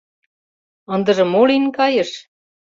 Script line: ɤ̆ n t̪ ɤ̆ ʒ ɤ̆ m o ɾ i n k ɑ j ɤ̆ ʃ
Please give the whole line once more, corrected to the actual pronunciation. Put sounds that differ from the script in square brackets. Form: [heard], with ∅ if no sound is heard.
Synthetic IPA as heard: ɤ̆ n [d̪] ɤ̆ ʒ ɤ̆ m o [l] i n k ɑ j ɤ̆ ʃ